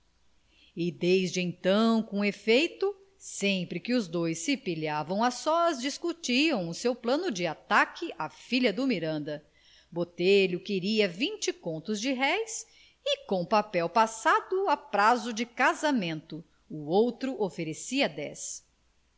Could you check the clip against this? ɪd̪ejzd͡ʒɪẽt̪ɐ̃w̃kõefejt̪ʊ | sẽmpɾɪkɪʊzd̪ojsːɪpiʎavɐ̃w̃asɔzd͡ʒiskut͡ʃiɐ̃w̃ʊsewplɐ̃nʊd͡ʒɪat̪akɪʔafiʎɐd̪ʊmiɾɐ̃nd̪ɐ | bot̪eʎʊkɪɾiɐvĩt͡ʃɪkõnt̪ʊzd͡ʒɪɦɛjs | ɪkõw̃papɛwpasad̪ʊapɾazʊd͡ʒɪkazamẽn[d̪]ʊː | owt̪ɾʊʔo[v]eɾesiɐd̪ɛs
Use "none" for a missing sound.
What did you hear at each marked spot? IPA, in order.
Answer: t̪, f

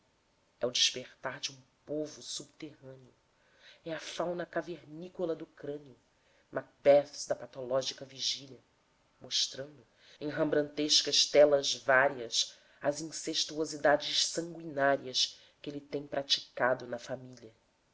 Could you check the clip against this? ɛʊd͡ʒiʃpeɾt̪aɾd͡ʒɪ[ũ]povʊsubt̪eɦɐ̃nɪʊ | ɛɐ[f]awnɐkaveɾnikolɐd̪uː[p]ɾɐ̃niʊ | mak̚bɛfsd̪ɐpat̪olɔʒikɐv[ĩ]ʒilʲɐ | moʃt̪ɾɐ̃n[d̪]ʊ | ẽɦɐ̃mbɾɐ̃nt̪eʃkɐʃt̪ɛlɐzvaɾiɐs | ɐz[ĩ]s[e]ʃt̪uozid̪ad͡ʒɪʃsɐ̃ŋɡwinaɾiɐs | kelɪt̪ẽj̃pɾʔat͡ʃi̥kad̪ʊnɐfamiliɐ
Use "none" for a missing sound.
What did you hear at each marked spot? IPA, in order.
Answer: ũ, f, k, i, d̪, ĩ, e

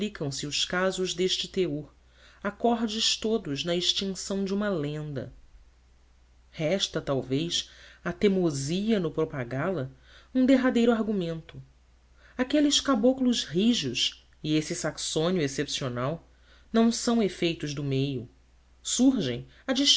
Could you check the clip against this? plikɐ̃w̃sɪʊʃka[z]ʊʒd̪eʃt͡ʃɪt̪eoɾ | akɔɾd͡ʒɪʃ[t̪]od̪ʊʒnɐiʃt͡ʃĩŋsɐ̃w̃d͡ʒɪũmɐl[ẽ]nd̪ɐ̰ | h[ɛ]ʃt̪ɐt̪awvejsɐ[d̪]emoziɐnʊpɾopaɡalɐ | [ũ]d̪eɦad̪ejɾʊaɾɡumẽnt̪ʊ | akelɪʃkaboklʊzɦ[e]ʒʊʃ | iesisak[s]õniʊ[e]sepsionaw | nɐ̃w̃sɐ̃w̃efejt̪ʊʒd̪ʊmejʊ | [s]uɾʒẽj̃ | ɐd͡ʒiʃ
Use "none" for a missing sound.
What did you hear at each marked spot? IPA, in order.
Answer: z, t̪, ẽ, ɛ, t̪, ũ, i, s, e, s

